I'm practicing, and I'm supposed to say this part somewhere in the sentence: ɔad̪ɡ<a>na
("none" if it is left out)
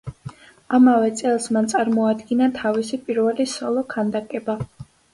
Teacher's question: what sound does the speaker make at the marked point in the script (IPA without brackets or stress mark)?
i